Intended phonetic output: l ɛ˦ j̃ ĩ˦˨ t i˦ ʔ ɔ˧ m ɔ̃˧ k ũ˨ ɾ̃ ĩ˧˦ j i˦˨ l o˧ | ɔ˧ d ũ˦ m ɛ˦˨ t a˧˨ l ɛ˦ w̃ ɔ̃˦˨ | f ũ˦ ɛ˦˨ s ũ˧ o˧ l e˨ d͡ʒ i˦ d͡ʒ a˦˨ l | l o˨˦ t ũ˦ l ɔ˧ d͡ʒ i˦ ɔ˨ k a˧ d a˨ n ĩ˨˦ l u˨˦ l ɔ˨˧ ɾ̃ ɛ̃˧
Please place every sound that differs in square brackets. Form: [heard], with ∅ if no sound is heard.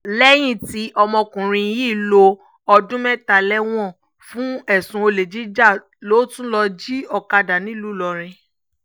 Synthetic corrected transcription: l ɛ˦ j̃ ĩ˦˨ t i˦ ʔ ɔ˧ m ɔ̃˧ k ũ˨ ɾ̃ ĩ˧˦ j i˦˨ l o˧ | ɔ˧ d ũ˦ m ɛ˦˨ t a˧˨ l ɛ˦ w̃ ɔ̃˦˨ | f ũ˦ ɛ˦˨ s ũ˧ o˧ l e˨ d͡ʒ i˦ d͡ʒ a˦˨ [∅] | l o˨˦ t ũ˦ l ɔ˧ d͡ʒ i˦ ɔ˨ k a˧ d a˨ n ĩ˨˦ l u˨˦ l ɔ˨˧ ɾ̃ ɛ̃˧